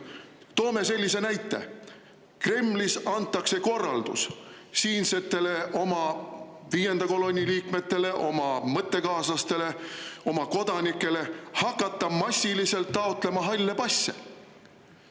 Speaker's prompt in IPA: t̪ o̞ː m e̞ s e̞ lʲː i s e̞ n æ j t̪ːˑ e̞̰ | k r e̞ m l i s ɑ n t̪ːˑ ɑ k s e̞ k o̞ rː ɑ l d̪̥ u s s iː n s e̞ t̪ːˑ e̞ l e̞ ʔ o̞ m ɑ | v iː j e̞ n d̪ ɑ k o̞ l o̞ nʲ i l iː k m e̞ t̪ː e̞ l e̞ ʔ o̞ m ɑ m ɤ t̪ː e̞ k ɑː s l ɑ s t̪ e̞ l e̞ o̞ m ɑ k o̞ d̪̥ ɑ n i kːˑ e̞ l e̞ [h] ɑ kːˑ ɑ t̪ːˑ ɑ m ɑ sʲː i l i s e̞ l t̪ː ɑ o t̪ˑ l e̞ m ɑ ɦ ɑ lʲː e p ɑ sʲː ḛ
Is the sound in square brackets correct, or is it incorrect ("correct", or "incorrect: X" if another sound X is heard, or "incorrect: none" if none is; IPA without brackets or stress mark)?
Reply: correct